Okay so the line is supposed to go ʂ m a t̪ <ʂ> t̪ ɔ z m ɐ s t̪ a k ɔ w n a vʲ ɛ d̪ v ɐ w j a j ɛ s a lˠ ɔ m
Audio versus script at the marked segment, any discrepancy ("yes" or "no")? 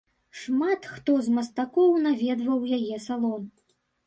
yes